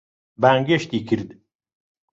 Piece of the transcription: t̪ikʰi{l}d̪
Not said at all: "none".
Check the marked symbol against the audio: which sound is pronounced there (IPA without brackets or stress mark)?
ɾ